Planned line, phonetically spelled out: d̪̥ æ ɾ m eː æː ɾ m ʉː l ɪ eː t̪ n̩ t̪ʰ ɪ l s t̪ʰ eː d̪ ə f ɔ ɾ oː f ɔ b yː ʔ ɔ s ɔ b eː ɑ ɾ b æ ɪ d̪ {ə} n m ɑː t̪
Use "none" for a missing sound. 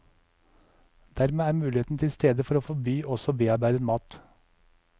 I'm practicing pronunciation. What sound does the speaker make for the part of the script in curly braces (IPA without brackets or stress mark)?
ə